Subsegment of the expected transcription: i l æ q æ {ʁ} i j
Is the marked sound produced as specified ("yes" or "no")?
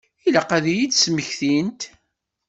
no